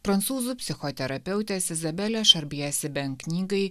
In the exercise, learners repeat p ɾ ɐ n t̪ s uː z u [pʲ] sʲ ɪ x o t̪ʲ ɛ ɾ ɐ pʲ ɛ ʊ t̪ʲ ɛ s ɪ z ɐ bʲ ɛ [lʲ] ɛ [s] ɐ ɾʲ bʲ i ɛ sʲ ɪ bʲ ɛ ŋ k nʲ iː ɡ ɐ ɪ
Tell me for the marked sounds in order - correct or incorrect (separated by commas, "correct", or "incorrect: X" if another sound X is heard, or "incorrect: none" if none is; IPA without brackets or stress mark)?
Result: correct, correct, incorrect: ʃ